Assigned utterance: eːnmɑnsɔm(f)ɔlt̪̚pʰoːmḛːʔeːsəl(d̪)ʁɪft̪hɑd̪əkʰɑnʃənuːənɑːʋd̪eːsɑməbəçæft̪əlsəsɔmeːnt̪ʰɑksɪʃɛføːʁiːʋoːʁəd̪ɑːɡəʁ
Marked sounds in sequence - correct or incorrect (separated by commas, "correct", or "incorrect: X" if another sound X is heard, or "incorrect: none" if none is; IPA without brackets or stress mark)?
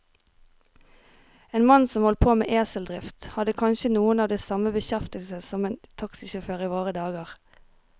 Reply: incorrect: h, correct